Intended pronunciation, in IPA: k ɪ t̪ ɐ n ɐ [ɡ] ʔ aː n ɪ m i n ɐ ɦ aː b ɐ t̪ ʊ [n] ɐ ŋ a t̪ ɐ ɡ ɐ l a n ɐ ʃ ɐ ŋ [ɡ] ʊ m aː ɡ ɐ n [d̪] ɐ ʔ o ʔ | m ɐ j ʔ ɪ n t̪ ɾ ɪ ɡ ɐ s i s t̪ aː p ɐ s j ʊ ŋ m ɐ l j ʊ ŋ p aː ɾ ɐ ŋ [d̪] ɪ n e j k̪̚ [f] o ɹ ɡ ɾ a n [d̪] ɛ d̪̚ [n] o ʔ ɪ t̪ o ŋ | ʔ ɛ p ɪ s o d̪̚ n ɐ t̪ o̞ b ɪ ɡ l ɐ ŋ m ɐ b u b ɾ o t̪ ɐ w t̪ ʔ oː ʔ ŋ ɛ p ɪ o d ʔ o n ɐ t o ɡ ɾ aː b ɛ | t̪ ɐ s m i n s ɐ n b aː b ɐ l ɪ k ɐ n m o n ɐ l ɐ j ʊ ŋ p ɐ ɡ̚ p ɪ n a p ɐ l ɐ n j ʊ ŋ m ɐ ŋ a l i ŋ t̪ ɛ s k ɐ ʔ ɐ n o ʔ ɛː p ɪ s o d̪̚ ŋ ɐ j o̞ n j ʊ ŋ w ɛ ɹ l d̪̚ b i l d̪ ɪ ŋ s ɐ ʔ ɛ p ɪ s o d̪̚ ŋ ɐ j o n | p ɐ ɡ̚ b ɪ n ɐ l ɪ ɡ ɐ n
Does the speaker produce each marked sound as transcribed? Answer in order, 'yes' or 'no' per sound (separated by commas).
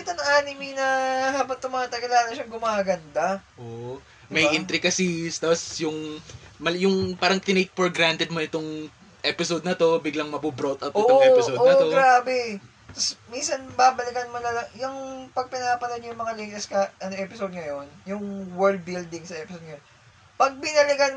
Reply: no, no, yes, yes, no, yes, no, no